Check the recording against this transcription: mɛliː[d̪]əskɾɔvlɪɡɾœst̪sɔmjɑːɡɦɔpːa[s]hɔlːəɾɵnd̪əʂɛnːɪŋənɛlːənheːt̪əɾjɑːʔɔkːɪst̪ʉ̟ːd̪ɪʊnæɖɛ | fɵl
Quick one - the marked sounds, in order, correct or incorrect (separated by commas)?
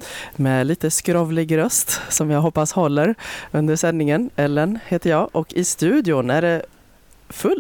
incorrect, correct